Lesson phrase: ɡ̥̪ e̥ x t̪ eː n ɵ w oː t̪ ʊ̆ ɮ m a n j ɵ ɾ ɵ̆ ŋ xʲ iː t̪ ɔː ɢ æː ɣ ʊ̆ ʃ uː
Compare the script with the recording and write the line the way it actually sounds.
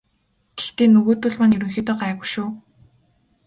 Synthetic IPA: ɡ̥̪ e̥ x t̪ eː n ɵ ɣ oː t̪ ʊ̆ ɮ m a n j ɵ ɾ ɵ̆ ŋ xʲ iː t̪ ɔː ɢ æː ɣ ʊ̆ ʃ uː

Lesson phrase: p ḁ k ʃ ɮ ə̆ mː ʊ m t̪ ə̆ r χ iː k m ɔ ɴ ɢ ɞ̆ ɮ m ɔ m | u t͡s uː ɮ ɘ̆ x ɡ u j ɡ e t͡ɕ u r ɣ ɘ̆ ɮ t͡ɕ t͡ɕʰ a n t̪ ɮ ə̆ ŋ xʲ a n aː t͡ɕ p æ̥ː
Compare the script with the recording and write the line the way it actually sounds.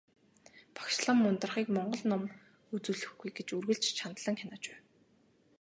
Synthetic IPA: p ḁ k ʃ ɮ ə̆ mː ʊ n t̪ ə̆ r χ iː k m ɔ ɴ ɢ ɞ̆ ɮ n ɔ m | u t͡s uː ɮ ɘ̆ x ɡ u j ɡ e t͡ɕ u r ɣ ɘ̆ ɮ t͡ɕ t͡ɕʰ a n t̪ ɮ ə̆ ŋ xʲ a n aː t͡ɕ p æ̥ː

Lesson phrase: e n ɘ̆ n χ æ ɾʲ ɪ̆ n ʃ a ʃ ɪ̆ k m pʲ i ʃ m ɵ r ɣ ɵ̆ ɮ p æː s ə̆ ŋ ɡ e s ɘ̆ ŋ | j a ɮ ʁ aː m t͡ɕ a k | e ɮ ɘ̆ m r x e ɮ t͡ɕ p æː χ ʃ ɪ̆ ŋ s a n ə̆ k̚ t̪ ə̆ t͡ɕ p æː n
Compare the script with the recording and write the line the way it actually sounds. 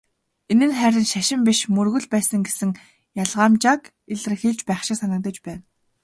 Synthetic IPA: e n ɘ̆ n χ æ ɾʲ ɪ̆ n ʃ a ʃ ɪ̆ m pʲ i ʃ m ɵ r ɣ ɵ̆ ɮ p æː s ə̆ ŋ ɡ e s ɘ̆ ŋ | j a ɮ ʁ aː m t͡ɕ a k | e ɮ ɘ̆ r x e ɮ t͡ɕ p æː χ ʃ ɪ̆ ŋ s a n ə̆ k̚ t̪ ə̆ t͡ɕ p æː n

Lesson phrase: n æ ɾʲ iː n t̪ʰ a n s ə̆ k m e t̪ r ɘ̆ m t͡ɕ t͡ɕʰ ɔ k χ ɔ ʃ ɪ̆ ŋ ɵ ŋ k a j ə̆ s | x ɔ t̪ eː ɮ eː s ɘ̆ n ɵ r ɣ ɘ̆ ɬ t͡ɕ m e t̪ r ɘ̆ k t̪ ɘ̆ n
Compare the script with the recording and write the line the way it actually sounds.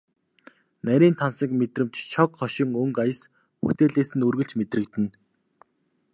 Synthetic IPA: n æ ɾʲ iː n t̪ʰ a n s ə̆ k m e t̪ r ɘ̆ m t͡ɕ t͡ɕʰ ɔ k χ ɔ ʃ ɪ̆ ŋ ɵ ŋ k a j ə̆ s | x u t̪ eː ɮ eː s ɘ̆ n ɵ r ɣ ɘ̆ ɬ t͡ɕ m e t̪ r ɘ̆ k t̪ ɘ̆ n

